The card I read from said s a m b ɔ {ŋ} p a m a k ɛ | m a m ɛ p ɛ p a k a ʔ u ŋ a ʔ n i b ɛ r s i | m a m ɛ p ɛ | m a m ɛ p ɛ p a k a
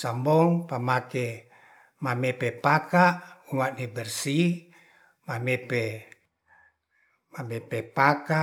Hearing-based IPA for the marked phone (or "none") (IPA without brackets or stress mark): ŋ